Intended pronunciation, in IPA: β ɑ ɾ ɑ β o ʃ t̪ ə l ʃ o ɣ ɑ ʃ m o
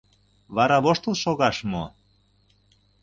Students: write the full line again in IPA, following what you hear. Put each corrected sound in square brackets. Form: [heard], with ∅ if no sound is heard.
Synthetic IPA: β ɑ ɾ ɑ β o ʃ t̪ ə l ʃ o ɣ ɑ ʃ m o